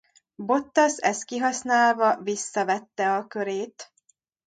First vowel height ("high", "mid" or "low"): mid